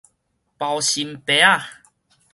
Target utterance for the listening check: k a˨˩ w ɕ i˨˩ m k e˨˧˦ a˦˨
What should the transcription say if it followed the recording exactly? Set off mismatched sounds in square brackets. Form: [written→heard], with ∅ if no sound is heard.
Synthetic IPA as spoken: [k→p] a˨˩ w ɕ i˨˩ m [k→p] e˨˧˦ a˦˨